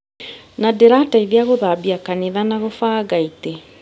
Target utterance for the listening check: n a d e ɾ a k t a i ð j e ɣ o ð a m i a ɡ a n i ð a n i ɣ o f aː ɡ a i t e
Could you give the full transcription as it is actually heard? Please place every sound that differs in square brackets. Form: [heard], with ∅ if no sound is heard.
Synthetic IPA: n a d e ɾ a [∅] t a i ð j [a] ɣ o ð a [b] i a [k] a n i ð a n [a] ɣ o f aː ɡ a i t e

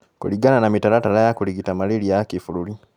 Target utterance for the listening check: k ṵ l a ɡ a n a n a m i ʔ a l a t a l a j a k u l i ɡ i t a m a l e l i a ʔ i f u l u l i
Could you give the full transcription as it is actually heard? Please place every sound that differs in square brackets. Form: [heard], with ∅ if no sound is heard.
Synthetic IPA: k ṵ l [i] ɡ a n a n a m i [t] a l a t a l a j a k u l i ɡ i t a m a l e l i a [k] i f u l u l i

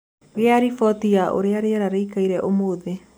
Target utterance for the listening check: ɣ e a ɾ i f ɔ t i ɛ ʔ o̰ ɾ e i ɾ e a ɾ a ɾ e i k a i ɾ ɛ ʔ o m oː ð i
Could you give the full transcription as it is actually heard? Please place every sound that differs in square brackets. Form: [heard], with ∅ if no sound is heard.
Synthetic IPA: ɣ e a ɾ i f ɔ t i [a] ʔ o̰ ɾ e [a] ɾ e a ɾ a ɾ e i k a i ɾ ɛ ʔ o m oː ð [e]

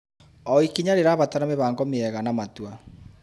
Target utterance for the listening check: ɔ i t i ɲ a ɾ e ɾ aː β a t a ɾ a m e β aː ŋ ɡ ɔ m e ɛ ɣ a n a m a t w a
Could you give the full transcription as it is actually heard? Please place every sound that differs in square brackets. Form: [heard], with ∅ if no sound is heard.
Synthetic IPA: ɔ i [k] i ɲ a ɾ e ɾ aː β a t a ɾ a m e β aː ŋ ɡ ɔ m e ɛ ɣ a n a m a t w a

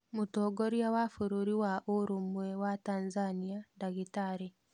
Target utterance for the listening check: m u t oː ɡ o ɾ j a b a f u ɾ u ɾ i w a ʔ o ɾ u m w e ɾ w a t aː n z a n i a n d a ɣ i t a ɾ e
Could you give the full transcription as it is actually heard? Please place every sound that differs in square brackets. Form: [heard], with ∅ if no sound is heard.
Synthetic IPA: m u t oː ɡ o ɾ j a [w] a f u ɾ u ɾ i w a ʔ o ɾ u m w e [∅] w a t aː n z a n i a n d a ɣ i t a ɾ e

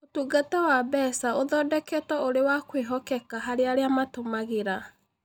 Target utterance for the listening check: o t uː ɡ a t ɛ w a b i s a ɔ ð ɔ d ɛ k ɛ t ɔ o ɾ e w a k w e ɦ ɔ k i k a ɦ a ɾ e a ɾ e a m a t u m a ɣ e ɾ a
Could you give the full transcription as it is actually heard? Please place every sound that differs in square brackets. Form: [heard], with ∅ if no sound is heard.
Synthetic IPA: o t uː ɡ a t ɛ w a b [ɛ] s a [o] ð ɔ d ɛ k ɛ t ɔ o ɾ e w a k w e ɦ ɔ k [ɛ] k a ɦ a ɾ e a ɾ e a m a t [o] m a ɣ e ɾ a

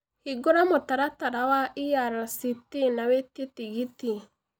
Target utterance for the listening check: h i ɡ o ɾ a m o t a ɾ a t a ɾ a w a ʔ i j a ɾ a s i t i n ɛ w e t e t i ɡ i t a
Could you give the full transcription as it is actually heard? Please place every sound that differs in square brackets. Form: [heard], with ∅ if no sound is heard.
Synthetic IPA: h i ɡ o ɾ a m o t a ɾ a t a ɾ a w a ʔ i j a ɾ a s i t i n [a] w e t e t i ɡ i t [i]

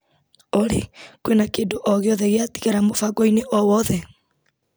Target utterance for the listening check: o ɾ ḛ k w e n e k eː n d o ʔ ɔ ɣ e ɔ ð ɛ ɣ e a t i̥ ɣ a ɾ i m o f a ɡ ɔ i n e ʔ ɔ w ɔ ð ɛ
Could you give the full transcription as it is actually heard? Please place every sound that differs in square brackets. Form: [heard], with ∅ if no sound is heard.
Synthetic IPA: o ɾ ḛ k w e n [a] k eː n d o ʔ ɔ ɣ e ɔ ð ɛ ɣ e a t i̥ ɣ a ɾ [a] m o f a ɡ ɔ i n e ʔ ɔ w ɔ ð ɛ

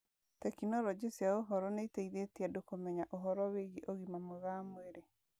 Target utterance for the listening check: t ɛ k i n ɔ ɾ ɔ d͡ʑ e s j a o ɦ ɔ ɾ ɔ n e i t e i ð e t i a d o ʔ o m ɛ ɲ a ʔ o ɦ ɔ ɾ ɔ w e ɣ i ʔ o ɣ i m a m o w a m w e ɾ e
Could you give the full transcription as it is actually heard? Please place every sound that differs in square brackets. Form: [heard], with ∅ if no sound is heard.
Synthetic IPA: t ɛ k i n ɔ ɾ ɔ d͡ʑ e s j a o ɦ ɔ ɾ ɔ n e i t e i ð e t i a d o [k] o m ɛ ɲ a ʔ o ɦ ɔ ɾ ɔ w e ɣ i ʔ o ɣ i m a m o [ɣ] a m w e ɾ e

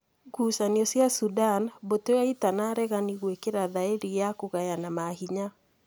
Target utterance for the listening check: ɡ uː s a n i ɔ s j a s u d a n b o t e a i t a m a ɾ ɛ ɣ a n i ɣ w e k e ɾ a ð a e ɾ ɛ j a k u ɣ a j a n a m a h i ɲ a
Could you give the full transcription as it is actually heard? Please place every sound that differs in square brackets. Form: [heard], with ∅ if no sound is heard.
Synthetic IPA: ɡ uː s a n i ɔ s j a s u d a n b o t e a i t a [n] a ɾ ɛ ɣ a n i ɣ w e k e ɾ a ð a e ɾ [i] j a k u ɣ a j a n a m a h i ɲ a

